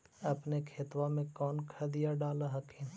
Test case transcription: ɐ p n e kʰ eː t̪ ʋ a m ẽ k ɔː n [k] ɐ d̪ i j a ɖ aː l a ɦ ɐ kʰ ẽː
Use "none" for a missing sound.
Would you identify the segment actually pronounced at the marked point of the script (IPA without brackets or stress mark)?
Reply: kʰ